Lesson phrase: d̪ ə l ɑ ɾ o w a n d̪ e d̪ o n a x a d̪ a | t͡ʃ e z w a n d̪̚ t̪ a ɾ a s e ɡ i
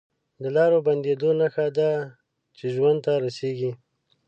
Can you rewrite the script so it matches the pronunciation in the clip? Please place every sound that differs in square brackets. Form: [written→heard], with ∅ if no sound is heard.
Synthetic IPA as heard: d̪ ə l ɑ ɾ o [w→b] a n d̪ e d̪ o n a x a d̪ a | t͡ʃ e [z→ʒ] w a n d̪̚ t̪ a ɾ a s e ɡ i